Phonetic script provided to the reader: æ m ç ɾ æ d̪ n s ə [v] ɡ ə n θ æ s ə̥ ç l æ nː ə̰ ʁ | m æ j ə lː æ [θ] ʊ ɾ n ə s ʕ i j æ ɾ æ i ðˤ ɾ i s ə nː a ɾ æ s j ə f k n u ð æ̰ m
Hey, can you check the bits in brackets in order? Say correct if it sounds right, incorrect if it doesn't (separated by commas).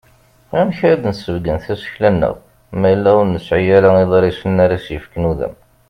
correct, incorrect